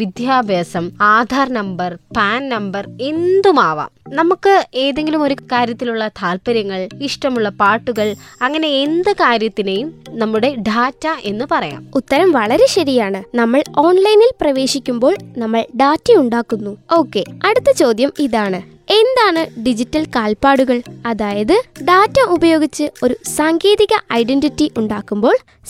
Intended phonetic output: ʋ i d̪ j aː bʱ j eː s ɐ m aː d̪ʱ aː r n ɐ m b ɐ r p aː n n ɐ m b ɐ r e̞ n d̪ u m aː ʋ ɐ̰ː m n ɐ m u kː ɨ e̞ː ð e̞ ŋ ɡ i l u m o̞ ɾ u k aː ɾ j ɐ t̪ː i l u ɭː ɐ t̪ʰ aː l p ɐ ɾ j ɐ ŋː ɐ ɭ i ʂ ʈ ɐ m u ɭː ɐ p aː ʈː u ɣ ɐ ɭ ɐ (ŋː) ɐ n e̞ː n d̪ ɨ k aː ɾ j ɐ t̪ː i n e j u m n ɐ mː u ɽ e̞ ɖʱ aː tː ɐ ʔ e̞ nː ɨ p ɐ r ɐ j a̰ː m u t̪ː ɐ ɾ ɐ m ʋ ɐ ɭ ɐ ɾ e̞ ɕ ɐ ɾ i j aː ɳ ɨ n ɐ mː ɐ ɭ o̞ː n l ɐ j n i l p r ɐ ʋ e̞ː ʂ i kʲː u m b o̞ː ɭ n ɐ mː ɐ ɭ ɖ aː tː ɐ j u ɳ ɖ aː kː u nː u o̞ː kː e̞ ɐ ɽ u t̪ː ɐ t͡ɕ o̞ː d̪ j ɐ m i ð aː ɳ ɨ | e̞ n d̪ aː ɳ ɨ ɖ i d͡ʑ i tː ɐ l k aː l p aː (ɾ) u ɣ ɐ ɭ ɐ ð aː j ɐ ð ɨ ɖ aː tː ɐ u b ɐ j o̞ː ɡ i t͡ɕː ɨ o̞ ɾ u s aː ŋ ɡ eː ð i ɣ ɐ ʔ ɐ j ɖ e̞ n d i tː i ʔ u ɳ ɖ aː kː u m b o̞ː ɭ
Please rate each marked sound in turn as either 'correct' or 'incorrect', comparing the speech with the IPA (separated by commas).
correct, incorrect